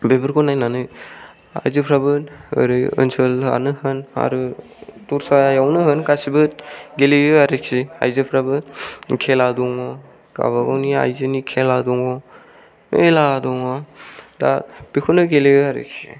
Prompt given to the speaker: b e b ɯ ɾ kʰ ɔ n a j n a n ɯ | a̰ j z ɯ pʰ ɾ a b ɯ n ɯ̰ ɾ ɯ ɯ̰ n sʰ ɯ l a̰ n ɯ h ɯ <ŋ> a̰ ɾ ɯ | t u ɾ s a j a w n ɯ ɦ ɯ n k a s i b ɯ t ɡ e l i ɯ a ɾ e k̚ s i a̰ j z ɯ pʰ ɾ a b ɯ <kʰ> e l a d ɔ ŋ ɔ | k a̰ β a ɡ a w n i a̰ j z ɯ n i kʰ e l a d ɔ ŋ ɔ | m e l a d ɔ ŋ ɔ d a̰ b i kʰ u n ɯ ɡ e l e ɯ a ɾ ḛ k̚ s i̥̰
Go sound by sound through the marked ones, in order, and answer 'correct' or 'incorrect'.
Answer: incorrect: n, correct

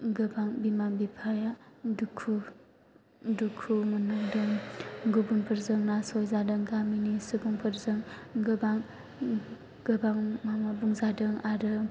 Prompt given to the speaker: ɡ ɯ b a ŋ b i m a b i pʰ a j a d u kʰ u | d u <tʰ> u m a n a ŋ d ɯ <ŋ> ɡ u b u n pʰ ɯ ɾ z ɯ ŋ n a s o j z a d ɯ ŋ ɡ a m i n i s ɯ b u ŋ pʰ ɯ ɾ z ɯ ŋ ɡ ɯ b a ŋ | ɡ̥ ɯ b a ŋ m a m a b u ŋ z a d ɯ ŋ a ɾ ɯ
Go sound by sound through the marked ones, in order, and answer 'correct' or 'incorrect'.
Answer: incorrect: kʰ, correct

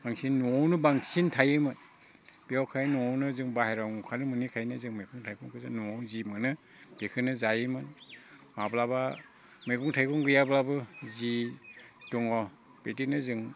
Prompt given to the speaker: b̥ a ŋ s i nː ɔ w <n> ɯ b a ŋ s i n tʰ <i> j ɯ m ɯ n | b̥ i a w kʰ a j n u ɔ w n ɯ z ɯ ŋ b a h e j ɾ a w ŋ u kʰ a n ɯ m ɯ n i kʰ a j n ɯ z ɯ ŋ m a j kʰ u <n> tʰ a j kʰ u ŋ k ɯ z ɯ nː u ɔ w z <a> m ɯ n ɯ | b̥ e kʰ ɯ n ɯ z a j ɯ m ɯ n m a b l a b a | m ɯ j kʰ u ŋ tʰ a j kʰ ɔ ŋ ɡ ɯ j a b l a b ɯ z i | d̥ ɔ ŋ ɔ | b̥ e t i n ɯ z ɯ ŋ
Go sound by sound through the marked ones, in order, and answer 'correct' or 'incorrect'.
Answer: correct, incorrect: a, incorrect: ŋ, incorrect: i

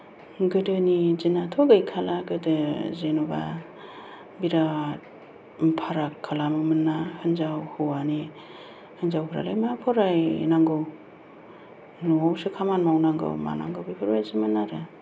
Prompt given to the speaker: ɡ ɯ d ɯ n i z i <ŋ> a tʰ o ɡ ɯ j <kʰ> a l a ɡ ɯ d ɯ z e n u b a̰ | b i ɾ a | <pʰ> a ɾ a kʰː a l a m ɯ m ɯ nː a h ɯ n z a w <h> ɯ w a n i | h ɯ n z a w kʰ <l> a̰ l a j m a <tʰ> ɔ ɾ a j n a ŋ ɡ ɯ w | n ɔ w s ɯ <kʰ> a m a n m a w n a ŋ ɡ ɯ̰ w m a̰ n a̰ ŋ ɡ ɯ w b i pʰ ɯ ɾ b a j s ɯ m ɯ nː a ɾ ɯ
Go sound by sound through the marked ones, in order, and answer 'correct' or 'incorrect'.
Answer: incorrect: n, correct, correct, correct, incorrect: ɾ, incorrect: pʰ, correct

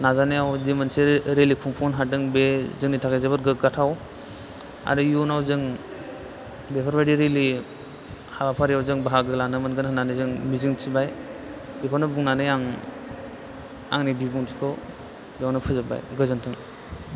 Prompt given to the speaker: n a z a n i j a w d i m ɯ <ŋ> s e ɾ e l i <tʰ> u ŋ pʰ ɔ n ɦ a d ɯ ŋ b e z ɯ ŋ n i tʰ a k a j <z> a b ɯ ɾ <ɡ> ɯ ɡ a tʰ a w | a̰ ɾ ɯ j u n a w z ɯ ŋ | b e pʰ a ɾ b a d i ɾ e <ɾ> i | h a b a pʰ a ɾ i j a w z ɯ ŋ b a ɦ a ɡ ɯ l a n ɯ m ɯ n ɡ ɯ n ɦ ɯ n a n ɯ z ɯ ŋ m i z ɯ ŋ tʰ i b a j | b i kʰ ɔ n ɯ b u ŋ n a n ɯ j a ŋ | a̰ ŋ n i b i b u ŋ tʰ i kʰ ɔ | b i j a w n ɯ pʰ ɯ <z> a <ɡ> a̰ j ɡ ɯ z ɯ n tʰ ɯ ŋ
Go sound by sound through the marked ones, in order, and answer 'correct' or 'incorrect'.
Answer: incorrect: n, incorrect: kʰ, correct, correct, incorrect: l, correct, incorrect: b

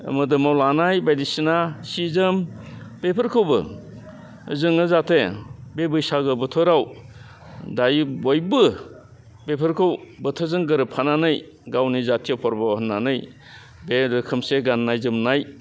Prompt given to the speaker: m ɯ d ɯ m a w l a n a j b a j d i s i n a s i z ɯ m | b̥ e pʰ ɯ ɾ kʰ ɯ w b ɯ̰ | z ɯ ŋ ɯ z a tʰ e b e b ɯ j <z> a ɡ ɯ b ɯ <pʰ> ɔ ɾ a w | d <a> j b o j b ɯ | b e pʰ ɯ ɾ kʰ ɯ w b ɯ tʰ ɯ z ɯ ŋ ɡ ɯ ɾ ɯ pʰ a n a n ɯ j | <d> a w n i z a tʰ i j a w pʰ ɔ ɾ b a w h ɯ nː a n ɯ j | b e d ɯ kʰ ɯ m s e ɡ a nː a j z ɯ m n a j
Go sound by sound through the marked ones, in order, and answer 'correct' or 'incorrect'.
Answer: incorrect: s, incorrect: tʰ, correct, incorrect: ɡ

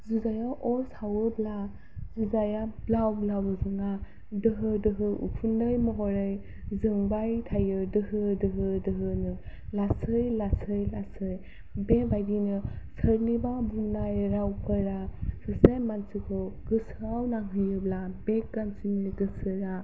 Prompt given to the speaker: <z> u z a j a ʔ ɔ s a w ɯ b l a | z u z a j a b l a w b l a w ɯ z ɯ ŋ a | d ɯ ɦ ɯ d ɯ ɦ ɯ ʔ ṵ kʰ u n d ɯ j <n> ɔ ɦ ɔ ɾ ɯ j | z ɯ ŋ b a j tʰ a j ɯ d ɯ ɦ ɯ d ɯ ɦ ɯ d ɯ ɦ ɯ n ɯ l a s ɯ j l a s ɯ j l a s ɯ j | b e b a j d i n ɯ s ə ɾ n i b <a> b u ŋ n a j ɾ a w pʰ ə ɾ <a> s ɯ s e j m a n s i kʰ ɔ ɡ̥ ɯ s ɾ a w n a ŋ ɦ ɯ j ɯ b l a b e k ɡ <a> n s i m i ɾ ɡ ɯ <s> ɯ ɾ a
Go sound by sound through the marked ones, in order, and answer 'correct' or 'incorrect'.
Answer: correct, incorrect: m, correct, correct, correct, correct

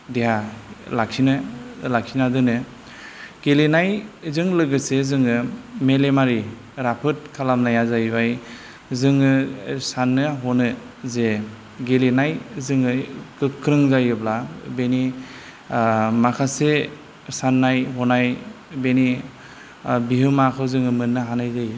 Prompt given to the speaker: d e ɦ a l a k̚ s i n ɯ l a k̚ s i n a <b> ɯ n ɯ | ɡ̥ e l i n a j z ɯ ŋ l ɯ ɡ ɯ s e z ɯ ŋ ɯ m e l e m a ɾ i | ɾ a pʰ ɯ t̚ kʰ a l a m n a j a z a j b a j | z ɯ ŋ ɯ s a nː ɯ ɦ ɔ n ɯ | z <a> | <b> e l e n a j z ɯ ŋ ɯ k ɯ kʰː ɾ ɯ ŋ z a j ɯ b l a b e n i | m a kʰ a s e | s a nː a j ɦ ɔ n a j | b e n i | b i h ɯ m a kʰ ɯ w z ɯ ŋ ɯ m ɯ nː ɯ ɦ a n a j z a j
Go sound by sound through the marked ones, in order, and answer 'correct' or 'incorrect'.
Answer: incorrect: d, incorrect: e, incorrect: ɡ

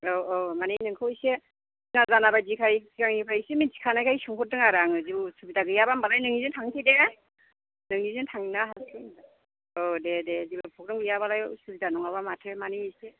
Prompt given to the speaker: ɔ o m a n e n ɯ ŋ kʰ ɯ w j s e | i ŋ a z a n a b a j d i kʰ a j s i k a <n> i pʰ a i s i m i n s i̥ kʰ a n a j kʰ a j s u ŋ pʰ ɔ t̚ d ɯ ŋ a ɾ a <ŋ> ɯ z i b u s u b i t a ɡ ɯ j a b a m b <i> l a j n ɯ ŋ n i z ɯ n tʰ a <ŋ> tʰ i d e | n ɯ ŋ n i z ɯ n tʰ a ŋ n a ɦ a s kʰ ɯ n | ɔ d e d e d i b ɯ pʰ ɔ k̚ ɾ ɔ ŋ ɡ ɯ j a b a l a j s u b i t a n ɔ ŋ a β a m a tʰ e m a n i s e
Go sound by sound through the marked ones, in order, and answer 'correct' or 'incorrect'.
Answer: incorrect: ŋ, correct, incorrect: a, correct

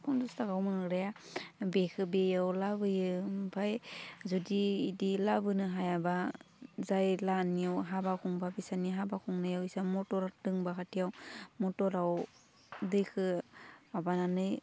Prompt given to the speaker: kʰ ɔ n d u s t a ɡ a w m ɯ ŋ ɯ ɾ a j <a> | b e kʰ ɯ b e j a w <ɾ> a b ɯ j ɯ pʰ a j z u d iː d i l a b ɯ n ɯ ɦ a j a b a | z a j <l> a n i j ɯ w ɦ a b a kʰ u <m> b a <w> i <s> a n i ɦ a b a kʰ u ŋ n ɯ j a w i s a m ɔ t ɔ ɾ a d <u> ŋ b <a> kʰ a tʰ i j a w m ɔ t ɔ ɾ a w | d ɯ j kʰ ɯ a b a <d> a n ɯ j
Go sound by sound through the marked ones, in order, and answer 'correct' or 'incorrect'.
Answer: correct, incorrect: l, correct, incorrect: ŋ, incorrect: b, correct, incorrect: ɯ, correct, incorrect: n

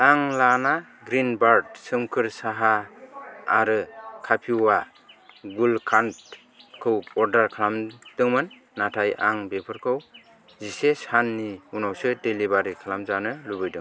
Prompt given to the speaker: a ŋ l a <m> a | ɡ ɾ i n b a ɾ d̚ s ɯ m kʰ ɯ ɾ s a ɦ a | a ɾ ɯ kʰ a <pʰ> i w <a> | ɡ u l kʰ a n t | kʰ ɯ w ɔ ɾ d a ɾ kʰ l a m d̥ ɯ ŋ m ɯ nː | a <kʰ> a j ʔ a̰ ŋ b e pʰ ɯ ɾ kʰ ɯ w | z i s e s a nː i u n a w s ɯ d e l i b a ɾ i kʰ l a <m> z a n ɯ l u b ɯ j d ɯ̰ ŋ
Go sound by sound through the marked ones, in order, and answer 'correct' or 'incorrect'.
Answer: incorrect: n, correct, correct, incorrect: tʰ, correct

